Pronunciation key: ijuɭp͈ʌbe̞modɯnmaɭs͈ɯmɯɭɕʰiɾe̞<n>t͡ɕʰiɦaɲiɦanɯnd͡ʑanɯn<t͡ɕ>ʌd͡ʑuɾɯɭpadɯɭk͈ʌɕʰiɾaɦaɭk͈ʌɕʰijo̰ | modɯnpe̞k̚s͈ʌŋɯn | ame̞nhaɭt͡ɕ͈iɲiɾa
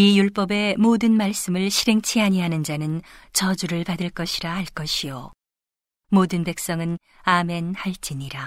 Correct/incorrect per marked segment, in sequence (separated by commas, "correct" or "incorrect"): incorrect, correct